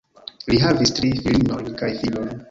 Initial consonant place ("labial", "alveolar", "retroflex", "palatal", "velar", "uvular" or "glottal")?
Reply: alveolar